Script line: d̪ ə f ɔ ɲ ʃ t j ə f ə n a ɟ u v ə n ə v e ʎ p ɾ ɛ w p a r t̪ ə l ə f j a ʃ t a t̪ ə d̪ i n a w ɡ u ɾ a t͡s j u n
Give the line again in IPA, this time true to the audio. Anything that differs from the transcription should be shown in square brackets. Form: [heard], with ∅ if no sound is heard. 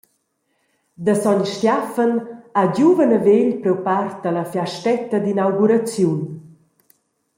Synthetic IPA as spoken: d̪ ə [s] ɔ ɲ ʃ t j [a] f ə n a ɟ u v ə n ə v e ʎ p ɾ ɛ w p a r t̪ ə l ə f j a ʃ t [ɛ] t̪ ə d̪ i n a w ɡ u ɾ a t͡s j u n